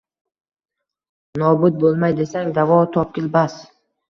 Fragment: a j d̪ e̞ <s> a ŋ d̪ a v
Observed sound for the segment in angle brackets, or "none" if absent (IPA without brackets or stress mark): s